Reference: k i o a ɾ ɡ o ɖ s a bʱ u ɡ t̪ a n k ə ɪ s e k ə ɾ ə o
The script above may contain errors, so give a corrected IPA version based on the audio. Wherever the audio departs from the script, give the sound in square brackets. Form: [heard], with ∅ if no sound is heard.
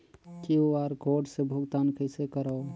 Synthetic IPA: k i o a ɾ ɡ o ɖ s [e] bʱ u ɡ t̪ a n k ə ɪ s e k ə ɾ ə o

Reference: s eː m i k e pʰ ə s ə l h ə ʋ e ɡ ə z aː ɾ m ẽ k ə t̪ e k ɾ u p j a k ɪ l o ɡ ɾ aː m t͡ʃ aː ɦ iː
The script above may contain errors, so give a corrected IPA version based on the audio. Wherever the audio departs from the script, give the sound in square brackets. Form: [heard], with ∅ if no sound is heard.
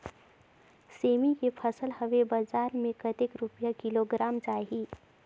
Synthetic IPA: s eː m i k e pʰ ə s ə l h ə ʋ e [b] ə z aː ɾ m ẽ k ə t̪ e k ɾ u p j a k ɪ l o ɡ ɾ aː m t͡ʃ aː ɦ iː

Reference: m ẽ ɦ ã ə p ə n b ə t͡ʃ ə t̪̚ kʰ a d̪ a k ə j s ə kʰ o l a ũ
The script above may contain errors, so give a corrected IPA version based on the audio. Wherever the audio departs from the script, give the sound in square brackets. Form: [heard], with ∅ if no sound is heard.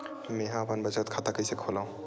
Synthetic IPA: m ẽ ɦ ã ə p ə n b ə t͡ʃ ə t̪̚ kʰ a [t̪] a k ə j s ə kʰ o l a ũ

